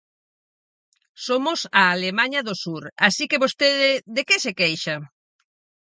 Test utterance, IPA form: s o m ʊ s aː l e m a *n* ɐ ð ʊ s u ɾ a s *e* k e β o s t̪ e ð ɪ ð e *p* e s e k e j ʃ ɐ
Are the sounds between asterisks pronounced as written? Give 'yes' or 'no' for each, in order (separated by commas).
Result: no, no, no